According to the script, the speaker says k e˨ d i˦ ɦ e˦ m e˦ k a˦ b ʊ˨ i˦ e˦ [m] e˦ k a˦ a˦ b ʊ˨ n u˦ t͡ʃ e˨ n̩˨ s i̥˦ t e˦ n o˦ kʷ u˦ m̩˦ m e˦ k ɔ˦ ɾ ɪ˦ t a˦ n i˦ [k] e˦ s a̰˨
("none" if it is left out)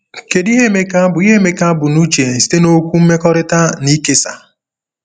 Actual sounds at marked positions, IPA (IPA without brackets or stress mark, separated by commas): m, k